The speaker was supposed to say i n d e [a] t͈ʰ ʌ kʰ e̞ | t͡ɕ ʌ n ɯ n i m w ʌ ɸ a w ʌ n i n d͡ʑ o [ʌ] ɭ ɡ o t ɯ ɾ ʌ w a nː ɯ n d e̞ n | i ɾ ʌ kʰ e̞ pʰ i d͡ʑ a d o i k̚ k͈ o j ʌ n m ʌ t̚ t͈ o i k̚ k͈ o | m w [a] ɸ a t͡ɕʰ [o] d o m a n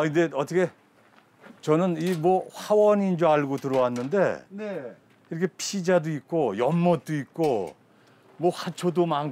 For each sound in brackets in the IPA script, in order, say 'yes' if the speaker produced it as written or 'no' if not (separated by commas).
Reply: no, no, no, yes